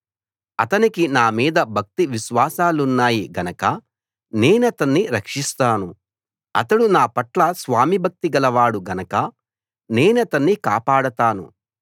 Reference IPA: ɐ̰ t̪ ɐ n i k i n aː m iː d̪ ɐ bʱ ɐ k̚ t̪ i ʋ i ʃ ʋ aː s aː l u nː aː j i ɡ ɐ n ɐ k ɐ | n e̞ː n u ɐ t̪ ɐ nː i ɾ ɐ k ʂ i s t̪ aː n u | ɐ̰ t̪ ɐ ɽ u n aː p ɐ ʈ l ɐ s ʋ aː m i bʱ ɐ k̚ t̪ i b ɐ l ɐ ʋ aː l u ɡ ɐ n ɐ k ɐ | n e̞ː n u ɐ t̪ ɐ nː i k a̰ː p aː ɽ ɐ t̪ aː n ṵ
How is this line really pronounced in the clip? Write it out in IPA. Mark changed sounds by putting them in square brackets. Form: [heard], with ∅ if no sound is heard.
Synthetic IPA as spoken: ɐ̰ t̪ ɐ n i k i n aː m iː d̪ ɐ bʱ ɐ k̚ t̪ i ʋ i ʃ ʋ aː s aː l u nː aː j i ɡ ɐ n ɐ k ɐ | n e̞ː n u ɐ t̪ ɐ nː i ɾ ɐ k ʂ i s t̪ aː n u | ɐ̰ t̪ ɐ ɽ u n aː p ɐ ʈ l ɐ s ʋ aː m i bʱ ɐ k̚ t̪ i [ɡ] ɐ l ɐ ʋ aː [ɽ] u ɡ ɐ n ɐ k ɐ | n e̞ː n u ɐ t̪ ɐ nː i k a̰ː p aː ɽ ɐ t̪ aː n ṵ